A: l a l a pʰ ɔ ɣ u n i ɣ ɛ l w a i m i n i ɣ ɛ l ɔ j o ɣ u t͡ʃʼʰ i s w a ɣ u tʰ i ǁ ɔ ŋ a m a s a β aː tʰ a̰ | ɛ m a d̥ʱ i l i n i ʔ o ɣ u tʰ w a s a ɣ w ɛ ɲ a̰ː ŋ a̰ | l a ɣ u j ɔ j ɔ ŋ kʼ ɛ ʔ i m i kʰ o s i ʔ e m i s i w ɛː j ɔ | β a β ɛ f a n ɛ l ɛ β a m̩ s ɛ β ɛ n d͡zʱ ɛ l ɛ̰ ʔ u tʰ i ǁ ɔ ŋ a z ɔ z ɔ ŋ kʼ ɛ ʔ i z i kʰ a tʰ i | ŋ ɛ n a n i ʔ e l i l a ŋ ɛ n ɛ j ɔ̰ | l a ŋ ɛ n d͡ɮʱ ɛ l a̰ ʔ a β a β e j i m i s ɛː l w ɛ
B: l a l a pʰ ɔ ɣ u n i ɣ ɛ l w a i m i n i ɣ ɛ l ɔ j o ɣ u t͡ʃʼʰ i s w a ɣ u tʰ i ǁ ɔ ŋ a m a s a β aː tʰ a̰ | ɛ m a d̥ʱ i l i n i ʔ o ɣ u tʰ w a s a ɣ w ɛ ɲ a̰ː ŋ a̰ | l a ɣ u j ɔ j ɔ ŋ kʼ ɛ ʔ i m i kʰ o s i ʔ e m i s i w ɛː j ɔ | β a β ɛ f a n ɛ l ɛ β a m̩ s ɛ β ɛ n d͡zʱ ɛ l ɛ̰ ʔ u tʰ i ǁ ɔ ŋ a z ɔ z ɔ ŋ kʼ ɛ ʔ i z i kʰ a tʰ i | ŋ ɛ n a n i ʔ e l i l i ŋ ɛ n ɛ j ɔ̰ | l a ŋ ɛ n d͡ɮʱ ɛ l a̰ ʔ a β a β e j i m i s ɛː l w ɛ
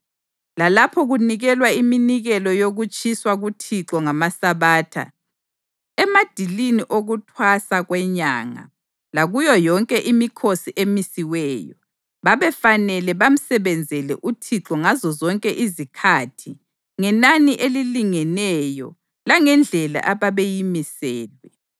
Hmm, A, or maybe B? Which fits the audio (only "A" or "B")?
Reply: B